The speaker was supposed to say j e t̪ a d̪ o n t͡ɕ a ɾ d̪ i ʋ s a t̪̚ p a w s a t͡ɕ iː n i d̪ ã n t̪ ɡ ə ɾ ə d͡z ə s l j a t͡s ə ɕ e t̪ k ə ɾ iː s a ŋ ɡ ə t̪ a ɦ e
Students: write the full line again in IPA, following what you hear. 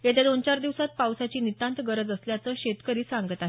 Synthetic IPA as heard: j e t̪ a d̪ o n t͡ɕ a ɾ d̪ i ʋ s a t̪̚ p a w s a t͡ɕ iː n i t̪ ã n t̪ ɡ ə ɾ ə d͡z ə s l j a t͡s ə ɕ e t̪ k ə ɾ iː s a ŋ ɡ ə t̪ a ɦ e